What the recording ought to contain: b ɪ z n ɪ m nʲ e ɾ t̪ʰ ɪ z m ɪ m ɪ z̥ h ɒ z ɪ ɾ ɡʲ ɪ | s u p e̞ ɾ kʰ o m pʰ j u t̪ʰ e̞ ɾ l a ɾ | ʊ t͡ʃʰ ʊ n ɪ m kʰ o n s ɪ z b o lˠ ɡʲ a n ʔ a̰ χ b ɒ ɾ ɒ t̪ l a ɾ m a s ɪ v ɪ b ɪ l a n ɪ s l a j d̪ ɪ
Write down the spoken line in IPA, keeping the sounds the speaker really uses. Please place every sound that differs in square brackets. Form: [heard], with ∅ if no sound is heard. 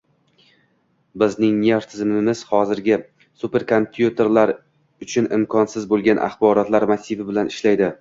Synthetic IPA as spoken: b ɪ z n ɪ [ŋ] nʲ e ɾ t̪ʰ ɪ z m ɪ m ɪ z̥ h ɒ z ɪ ɾ ɡʲ ɪ | s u p e̞ ɾ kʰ o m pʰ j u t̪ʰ e̞ ɾ l a ɾ | ʊ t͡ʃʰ ʊ n ɪ m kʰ [ɒ] n s ɪ z b o lˠ ɡʲ a n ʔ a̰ χ b ɒ ɾ ɒ t̪ l a ɾ m a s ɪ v ɪ b ɪ l a n ɪ [ʃ] l a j d̪ ɪ